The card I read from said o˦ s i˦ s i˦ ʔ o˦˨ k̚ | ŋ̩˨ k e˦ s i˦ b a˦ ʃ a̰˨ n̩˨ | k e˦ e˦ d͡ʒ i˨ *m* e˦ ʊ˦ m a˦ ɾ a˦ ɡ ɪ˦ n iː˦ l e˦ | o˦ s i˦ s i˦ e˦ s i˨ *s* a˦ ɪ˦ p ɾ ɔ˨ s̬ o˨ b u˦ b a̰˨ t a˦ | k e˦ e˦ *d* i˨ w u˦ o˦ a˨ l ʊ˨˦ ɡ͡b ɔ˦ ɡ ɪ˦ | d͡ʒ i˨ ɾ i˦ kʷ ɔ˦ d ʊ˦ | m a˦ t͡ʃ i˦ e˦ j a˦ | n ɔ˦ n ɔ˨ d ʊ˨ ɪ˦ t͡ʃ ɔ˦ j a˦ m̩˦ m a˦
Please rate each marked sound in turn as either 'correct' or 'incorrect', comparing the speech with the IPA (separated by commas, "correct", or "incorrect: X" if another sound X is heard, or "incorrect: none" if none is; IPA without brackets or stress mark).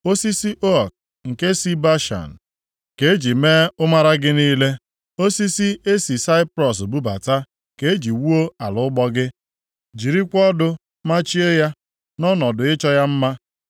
correct, correct, incorrect: d͡ʒ